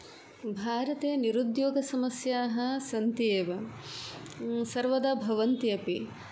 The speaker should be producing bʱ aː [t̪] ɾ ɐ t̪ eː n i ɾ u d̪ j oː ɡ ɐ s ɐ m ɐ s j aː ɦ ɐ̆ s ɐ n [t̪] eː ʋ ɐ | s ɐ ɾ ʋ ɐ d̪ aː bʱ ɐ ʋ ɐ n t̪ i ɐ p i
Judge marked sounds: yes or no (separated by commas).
no, yes